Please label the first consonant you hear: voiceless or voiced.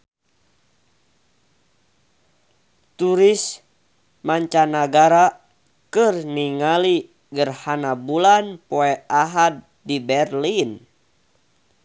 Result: voiceless